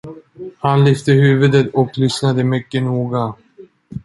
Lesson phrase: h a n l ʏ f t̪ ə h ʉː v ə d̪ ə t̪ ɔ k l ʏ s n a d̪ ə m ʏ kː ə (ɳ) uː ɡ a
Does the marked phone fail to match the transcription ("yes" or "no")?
yes